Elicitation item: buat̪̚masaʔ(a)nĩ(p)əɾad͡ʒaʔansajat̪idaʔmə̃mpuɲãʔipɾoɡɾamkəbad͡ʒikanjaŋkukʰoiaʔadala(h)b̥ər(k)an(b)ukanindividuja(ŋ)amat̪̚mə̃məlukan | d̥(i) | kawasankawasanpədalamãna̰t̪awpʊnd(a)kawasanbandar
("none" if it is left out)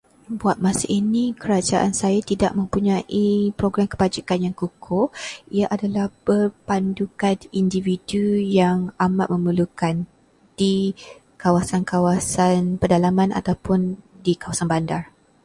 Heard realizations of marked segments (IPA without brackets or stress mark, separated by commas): i, k, h, p, d, ŋ, i, i